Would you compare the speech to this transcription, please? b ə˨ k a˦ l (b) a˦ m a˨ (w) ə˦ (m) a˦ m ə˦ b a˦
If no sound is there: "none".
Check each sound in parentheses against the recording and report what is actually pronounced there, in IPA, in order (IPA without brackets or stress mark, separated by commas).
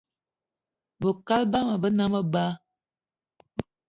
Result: b, b, n